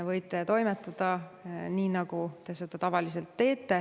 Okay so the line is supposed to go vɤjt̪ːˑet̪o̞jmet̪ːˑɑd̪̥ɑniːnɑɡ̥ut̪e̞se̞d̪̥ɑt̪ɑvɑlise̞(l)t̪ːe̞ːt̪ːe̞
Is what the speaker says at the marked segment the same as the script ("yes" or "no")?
yes